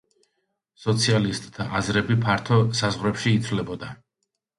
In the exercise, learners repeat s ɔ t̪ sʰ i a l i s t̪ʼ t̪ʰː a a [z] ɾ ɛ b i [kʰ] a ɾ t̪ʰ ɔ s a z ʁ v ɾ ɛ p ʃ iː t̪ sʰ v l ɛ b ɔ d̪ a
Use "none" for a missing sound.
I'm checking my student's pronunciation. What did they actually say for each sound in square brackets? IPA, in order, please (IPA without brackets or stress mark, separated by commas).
z, pʰ